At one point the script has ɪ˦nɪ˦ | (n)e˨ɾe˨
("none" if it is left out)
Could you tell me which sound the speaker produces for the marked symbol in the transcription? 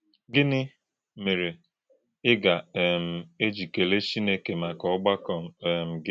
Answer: m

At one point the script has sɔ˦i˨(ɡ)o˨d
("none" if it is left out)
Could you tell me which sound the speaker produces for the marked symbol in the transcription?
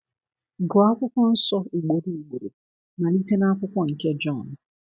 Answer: ɡ͡b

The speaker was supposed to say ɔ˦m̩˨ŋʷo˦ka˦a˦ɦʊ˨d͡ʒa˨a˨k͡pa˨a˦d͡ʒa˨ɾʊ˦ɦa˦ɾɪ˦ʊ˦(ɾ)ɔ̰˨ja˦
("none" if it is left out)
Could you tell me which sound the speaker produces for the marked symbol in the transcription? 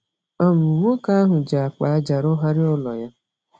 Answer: l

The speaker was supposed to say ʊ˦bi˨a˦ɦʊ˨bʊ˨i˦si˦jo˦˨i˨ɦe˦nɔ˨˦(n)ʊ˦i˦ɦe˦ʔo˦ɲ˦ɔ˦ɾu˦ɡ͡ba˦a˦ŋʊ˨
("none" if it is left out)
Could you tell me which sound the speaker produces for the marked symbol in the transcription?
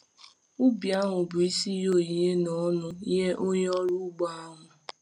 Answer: n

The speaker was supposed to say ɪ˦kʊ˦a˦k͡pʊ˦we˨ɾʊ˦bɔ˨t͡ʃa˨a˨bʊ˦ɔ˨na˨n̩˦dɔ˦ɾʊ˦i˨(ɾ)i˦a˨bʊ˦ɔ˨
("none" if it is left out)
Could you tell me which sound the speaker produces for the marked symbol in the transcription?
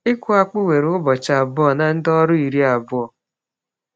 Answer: ɾ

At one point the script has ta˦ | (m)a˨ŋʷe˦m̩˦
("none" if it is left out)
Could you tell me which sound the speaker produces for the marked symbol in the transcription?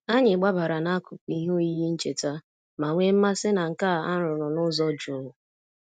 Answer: m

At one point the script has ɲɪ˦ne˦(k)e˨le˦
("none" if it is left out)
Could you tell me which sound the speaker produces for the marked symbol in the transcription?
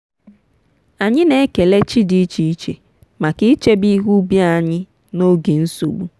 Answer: k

